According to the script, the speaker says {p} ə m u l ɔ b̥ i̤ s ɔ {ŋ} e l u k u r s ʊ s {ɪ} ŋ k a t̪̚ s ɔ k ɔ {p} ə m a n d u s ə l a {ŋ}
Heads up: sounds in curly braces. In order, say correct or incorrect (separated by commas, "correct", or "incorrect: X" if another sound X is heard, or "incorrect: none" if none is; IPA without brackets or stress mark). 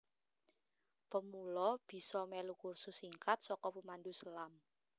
correct, incorrect: m, incorrect: i, correct, incorrect: m